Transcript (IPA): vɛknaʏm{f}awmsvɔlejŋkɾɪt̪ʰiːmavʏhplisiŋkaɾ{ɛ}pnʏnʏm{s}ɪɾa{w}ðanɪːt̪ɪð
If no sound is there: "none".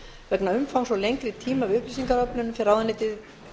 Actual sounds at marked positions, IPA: f, œ, f, w

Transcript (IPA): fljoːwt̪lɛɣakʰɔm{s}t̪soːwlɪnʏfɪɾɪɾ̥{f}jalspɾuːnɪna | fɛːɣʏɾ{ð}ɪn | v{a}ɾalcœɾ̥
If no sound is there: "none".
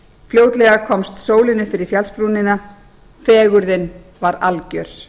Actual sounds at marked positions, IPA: s, f, ð, a

